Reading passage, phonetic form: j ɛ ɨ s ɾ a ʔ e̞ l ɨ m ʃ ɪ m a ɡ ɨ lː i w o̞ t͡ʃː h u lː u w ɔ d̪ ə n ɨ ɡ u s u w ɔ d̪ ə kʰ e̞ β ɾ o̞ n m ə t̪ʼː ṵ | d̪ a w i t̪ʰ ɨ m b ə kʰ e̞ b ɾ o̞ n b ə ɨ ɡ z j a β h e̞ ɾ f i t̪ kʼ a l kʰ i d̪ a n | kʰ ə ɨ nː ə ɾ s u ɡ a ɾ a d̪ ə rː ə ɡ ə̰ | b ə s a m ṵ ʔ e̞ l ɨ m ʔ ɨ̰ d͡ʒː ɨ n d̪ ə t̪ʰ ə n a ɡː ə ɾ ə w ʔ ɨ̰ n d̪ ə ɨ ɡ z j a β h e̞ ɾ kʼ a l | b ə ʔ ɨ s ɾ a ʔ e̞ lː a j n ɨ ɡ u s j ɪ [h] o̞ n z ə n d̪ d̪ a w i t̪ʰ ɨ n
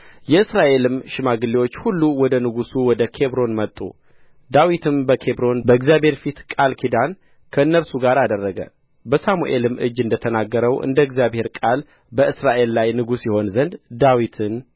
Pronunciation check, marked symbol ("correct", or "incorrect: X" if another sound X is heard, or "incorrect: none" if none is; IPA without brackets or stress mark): correct